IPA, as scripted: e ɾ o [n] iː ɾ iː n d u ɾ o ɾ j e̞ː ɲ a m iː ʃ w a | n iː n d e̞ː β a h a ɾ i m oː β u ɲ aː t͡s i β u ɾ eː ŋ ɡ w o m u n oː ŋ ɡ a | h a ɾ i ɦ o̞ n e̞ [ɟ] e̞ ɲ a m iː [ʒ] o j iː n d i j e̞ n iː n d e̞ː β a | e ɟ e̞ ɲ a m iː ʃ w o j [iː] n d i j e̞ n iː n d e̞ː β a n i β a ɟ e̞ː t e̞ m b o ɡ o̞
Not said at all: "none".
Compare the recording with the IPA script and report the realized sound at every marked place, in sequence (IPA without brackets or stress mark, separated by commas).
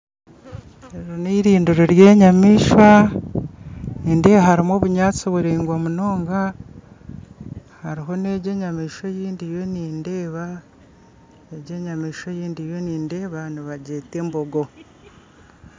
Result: n, ɟ, ʃ, iː